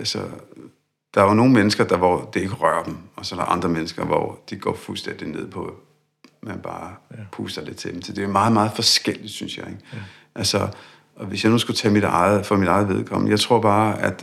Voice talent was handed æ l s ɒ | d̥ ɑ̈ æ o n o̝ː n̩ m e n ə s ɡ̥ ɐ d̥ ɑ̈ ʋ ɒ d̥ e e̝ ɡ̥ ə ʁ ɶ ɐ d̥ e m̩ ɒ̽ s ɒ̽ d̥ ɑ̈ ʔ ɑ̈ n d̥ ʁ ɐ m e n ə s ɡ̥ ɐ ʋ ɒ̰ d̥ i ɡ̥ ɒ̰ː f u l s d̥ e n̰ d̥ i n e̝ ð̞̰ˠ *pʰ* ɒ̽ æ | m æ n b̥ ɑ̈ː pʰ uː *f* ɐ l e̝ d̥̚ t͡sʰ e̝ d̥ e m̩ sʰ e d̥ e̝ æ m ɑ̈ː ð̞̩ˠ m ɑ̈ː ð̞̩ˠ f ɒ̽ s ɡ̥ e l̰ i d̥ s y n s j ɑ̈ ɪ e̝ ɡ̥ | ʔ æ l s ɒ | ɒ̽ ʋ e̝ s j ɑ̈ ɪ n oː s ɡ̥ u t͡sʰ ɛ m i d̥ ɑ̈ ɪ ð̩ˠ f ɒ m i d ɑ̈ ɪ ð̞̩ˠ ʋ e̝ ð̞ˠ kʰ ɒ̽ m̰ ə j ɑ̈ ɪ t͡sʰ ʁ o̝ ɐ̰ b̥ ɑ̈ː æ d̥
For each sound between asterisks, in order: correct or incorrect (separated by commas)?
correct, incorrect